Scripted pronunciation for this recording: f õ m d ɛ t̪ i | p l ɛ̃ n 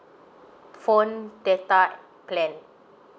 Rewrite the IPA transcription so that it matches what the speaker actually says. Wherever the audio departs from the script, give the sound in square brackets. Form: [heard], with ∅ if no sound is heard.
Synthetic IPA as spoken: f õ [n] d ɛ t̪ [a] | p l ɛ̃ n